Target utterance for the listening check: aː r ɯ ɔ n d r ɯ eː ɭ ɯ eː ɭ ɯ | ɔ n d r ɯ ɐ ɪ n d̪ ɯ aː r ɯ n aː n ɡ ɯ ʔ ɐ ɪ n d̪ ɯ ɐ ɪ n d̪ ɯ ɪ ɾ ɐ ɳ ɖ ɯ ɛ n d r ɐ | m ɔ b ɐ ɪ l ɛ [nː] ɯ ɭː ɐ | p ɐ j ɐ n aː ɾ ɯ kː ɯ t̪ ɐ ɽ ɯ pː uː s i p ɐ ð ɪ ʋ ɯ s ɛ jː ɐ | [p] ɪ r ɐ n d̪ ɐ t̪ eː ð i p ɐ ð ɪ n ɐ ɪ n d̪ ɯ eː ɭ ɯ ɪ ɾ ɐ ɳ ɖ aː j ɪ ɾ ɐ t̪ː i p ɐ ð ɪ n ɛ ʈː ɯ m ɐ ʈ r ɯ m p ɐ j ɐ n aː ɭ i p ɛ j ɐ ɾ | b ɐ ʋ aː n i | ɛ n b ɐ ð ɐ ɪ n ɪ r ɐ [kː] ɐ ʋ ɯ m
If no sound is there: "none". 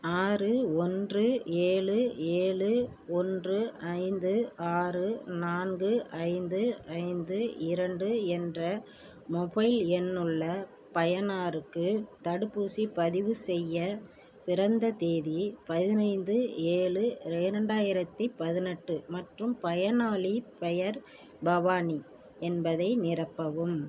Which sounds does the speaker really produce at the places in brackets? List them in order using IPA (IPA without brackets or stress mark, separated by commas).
nː, p, pː